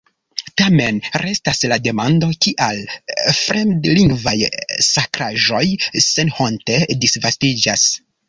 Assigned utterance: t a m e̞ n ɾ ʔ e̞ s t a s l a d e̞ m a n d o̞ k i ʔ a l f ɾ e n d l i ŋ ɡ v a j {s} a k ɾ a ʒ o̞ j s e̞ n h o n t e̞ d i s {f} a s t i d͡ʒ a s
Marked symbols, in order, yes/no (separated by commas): yes, no